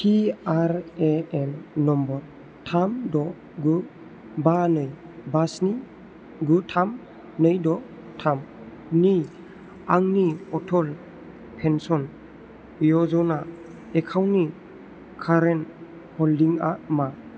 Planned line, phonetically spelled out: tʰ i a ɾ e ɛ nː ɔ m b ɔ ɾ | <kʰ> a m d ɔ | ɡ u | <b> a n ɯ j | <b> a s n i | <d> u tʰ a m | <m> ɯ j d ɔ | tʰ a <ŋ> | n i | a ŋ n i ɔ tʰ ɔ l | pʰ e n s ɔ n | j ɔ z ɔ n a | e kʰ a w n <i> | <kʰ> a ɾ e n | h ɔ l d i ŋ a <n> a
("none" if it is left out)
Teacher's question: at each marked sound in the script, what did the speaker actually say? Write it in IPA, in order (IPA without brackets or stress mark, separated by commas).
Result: tʰ, b, b, ɡ, n, m, i, kʰ, m